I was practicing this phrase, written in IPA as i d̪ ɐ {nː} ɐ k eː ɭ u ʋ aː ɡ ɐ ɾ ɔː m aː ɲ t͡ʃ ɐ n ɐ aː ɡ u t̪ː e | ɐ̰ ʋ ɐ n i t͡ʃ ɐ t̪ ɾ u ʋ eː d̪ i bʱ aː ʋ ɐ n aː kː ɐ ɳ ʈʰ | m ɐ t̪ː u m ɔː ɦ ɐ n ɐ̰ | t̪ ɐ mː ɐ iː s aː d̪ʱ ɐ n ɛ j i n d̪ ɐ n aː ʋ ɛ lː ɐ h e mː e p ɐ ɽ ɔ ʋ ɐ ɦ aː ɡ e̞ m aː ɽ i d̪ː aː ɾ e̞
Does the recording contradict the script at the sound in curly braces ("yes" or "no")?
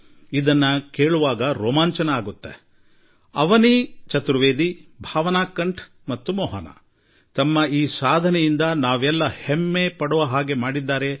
no